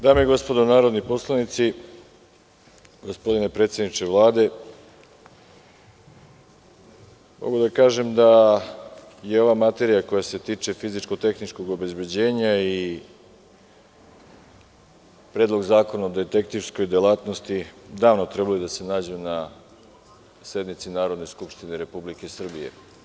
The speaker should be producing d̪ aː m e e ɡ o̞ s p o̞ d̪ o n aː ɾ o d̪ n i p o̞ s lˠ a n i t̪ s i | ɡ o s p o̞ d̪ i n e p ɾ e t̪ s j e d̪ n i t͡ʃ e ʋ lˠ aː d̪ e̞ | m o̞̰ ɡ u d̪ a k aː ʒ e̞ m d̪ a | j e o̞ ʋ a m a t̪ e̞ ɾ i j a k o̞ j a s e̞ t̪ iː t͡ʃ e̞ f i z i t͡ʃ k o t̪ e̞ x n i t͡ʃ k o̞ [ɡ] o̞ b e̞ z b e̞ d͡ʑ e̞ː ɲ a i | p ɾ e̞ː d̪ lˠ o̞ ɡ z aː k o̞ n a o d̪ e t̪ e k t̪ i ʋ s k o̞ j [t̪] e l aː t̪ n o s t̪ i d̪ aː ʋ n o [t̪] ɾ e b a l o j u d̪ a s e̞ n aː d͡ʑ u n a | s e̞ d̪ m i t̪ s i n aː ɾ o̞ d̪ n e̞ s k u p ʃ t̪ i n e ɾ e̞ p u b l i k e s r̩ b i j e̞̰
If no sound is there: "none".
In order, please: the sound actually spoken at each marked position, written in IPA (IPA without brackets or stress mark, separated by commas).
ɡ, d̪, t̪